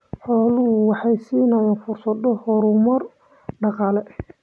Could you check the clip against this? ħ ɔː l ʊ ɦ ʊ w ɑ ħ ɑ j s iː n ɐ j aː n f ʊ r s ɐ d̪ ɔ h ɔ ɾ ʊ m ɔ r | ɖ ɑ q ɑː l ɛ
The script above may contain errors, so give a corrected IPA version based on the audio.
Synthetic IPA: ħ ɔː l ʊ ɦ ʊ w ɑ ħ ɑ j s iː n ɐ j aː n f ʊ r s ɐ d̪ ɔ h ɔ ɾ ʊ m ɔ r | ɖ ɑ q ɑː l ɛ